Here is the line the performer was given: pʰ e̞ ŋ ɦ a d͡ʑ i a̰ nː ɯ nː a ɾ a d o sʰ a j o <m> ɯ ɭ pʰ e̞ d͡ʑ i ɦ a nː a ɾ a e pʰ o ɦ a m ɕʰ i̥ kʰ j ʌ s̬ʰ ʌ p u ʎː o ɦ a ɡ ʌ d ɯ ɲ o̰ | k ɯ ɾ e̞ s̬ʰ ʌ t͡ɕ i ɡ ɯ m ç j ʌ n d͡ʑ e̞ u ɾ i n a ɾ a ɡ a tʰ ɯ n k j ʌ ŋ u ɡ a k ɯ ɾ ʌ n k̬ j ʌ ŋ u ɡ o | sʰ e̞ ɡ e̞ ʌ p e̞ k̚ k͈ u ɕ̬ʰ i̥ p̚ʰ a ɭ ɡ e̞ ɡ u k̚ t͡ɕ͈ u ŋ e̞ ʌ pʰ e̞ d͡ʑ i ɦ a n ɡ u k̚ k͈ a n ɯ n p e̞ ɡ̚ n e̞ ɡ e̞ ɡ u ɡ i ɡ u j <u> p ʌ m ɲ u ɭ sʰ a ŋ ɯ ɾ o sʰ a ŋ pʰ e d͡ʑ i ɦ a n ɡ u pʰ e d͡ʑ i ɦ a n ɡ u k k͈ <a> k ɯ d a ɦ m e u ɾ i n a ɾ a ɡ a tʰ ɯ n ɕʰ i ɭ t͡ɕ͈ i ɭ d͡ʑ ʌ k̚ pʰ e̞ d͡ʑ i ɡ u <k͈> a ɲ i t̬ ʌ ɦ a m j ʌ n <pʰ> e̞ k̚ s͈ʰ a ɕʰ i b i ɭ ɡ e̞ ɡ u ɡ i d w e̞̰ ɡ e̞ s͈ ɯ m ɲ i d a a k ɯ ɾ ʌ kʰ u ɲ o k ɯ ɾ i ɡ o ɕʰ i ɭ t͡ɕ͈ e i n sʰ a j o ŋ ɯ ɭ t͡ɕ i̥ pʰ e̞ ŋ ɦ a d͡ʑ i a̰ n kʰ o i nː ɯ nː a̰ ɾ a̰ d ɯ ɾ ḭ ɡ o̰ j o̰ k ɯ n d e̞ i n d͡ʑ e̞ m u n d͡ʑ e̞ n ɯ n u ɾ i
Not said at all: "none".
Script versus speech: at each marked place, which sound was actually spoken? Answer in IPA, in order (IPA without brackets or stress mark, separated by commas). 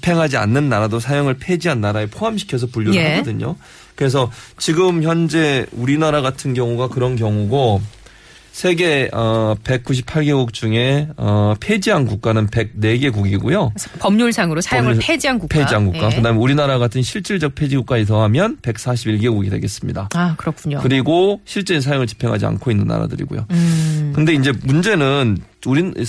ŋ, o, a, k͈, p